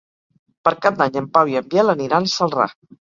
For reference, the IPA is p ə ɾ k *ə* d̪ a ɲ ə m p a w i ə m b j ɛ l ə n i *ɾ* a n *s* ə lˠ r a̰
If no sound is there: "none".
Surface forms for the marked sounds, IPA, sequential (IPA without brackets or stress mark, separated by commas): a, ɾ, s